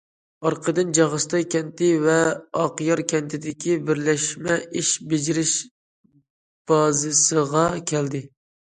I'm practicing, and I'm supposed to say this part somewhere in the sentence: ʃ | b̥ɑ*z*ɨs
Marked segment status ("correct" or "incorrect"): correct